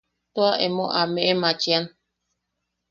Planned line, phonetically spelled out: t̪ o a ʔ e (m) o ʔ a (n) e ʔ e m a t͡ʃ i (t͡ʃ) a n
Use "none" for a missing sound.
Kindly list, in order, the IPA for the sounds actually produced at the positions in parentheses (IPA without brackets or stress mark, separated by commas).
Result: m, m, none